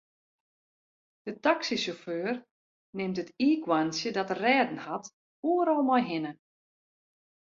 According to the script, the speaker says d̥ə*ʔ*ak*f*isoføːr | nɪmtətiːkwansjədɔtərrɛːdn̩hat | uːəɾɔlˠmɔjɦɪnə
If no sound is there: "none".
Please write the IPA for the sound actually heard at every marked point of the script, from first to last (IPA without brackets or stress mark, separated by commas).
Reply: t, s